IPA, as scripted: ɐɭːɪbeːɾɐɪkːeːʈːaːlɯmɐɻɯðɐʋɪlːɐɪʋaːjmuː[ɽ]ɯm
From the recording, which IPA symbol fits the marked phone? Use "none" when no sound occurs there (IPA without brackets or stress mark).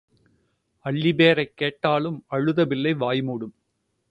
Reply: ɽ